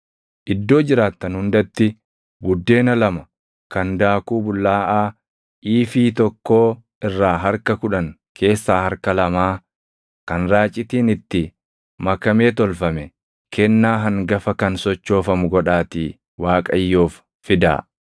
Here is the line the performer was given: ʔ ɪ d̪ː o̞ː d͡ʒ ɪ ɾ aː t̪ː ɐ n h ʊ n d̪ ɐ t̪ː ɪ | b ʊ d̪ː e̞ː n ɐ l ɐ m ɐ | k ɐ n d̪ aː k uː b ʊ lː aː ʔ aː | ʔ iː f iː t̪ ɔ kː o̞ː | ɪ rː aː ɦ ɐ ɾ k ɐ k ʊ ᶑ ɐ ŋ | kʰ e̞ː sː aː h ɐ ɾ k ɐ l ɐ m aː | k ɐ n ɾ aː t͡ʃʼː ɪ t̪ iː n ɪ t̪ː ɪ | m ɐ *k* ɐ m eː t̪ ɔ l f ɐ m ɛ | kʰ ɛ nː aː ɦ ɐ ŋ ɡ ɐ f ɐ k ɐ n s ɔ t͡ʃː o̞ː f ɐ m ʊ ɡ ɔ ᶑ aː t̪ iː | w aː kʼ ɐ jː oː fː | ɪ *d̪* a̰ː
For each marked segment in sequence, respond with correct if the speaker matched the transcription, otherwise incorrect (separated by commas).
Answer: correct, correct